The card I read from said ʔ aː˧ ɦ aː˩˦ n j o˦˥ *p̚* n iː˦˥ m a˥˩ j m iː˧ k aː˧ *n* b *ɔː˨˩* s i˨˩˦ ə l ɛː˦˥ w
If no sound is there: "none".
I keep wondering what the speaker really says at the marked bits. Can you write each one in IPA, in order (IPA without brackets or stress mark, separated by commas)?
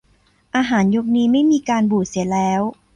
k̚, n, uː˨˩